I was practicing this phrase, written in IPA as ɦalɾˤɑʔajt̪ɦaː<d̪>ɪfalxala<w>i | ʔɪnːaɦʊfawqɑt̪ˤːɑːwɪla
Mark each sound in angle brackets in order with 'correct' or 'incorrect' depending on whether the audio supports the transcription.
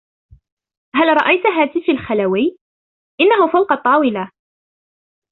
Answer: incorrect: t̪, correct

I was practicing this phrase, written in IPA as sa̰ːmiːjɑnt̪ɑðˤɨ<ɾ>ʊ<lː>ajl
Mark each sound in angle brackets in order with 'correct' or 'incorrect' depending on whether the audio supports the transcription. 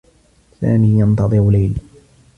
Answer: correct, incorrect: l

